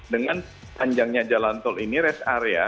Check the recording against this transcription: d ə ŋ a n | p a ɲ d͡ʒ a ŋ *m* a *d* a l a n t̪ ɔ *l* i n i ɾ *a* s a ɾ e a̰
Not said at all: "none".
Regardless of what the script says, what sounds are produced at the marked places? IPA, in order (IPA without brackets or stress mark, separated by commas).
ɲ, d͡ʒ, l, ɛ